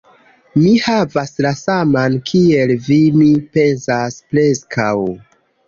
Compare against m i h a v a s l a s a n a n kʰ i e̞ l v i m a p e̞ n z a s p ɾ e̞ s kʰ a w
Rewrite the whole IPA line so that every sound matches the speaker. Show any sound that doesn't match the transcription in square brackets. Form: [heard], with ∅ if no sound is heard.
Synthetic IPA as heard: m i h a v a s l a s a [m] a n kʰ i e̞ l v i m [i] p e̞ n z a s p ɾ e̞ s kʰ a w